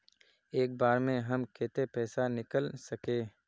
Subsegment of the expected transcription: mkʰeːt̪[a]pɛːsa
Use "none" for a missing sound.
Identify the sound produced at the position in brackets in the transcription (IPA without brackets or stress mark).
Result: e